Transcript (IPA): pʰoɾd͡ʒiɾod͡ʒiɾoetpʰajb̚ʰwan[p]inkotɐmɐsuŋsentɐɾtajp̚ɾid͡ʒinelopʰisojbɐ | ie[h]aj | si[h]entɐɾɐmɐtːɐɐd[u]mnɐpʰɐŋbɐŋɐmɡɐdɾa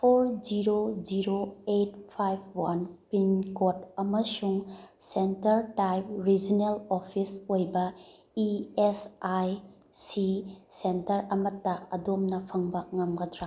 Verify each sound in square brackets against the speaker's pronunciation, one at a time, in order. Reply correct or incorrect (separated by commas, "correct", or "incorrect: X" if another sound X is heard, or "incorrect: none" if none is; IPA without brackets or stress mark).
correct, incorrect: s, incorrect: s, incorrect: o